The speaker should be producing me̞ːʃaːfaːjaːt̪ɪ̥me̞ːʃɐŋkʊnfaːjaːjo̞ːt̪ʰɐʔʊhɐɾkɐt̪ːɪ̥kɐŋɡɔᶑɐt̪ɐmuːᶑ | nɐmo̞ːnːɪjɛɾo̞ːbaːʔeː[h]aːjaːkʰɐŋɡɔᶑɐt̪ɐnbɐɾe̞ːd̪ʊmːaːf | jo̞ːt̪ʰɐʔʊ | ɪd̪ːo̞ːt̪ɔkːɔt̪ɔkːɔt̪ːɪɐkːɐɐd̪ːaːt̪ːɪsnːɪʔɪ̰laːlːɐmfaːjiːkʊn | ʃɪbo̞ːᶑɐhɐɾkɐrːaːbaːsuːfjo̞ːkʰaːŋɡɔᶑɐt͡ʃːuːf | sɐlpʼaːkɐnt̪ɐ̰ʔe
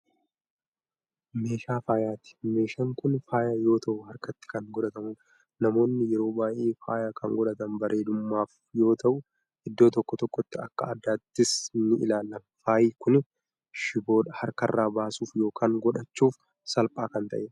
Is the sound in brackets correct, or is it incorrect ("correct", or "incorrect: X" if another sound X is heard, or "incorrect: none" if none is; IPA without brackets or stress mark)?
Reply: incorrect: f